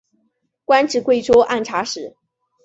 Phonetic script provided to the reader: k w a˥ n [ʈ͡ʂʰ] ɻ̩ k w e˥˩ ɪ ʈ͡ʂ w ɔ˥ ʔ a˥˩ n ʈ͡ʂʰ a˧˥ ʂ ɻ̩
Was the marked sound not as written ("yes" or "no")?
yes